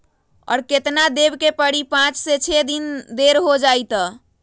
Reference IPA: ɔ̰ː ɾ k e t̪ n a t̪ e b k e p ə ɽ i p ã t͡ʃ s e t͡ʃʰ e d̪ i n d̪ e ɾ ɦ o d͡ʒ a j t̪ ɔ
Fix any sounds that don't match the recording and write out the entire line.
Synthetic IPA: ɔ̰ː ɾ k e t̪ n a d̪ e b k e p ə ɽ i p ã t͡ʃ s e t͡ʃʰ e d̪ i n d̪ e ɾ ɦ o d͡ʒ a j t̪ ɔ